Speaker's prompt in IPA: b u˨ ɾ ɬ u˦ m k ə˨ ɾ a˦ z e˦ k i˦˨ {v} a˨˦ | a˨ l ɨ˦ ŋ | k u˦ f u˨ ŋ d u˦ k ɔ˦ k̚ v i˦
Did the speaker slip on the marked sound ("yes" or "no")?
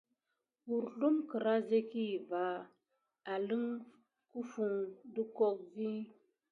no